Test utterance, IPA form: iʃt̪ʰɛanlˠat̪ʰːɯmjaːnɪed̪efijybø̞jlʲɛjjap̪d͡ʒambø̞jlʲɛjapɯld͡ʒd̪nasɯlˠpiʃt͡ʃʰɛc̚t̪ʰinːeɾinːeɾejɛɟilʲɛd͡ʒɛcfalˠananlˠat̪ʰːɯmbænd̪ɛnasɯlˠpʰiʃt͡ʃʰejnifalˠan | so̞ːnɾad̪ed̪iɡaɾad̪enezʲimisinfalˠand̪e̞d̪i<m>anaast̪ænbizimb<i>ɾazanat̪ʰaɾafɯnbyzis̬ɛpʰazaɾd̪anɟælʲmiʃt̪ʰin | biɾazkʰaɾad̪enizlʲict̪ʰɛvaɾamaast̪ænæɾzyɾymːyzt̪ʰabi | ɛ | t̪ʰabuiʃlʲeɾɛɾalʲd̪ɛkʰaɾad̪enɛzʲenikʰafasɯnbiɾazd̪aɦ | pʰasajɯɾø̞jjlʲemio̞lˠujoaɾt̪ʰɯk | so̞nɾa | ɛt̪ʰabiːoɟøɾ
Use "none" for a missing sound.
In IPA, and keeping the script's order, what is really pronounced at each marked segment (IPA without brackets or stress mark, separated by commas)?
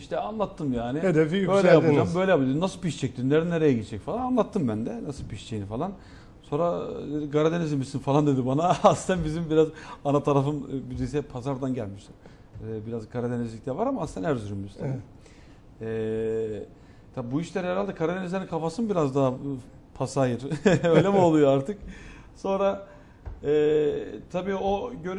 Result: b, i